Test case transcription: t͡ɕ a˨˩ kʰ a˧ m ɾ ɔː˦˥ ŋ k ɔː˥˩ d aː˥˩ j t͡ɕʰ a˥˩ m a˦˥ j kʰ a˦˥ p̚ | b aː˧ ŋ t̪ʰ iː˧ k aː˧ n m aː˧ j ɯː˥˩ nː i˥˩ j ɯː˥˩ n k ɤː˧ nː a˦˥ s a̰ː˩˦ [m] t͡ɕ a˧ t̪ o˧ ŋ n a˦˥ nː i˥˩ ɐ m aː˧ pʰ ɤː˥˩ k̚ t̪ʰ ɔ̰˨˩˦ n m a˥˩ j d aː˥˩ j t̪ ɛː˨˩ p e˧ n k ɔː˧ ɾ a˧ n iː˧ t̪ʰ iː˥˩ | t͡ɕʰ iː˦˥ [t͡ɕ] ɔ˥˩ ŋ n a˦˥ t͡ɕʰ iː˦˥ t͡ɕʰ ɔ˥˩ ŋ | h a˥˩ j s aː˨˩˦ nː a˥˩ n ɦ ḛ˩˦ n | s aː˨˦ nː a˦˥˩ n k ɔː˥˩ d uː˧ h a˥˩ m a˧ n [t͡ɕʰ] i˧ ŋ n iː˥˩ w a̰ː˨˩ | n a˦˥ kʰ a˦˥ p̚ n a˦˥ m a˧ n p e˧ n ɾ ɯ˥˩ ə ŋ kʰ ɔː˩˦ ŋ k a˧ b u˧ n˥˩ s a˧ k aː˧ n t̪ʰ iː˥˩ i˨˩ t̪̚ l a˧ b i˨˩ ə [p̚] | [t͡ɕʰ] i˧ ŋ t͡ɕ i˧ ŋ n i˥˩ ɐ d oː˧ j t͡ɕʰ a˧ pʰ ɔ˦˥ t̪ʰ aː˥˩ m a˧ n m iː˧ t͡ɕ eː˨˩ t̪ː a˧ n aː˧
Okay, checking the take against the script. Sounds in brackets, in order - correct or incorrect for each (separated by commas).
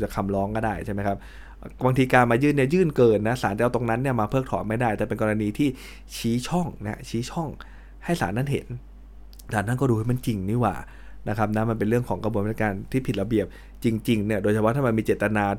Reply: incorrect, incorrect, incorrect, correct, incorrect